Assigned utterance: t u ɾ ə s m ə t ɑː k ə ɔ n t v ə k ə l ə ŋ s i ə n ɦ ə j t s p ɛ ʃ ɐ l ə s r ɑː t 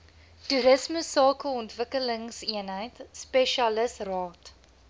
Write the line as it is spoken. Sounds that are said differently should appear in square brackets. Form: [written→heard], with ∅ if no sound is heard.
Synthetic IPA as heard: t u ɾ ə s m ə [t→s] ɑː k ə ɔ n t v ə k ə l ə ŋ s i ə n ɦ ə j t s p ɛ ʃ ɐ l ə s r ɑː t